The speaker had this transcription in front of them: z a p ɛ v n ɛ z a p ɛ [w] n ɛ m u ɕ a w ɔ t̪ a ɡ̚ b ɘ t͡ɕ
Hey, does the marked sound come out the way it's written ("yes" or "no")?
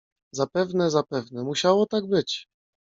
no